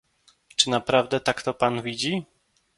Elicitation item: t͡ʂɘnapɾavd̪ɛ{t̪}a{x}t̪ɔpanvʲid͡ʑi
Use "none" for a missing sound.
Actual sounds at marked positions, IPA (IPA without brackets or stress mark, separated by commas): t̪, k